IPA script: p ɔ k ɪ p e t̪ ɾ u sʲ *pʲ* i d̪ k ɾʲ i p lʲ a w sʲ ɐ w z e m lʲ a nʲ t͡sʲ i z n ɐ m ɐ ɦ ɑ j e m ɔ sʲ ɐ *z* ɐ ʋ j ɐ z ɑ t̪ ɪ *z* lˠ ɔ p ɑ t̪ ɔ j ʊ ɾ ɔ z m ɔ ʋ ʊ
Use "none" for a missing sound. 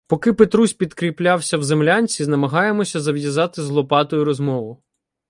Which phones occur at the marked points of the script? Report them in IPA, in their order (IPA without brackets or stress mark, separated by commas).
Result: pʲ, z, z